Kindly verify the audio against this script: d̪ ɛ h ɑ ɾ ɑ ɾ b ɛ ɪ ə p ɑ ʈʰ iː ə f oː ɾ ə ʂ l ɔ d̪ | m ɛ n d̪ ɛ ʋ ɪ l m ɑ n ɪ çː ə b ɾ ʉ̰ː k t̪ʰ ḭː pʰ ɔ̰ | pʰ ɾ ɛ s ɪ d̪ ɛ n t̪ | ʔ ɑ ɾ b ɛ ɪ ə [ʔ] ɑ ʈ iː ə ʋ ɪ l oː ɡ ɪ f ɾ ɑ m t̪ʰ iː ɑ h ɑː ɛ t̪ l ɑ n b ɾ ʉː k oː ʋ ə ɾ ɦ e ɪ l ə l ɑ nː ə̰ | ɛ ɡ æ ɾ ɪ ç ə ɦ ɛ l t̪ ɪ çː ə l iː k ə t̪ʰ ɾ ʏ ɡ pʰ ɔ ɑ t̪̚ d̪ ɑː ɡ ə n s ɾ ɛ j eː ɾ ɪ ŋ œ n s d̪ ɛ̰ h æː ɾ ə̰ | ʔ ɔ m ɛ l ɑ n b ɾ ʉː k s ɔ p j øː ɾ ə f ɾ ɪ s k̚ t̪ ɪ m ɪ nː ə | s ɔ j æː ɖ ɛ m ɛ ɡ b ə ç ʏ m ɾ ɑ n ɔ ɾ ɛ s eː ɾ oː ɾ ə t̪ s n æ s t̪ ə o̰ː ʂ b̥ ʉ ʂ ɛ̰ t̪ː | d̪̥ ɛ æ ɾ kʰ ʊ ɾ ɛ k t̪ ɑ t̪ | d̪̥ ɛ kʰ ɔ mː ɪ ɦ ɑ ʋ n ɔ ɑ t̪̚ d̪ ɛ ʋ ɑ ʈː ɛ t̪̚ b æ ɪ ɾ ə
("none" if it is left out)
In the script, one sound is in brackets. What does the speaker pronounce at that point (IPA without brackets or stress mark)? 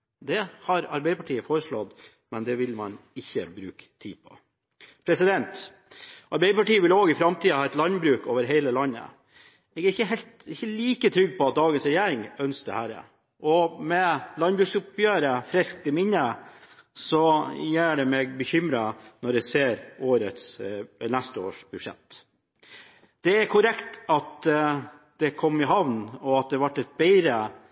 p